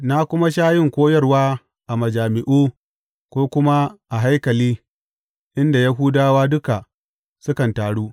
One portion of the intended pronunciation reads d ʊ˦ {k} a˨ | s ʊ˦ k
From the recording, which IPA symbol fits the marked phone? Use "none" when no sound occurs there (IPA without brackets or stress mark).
k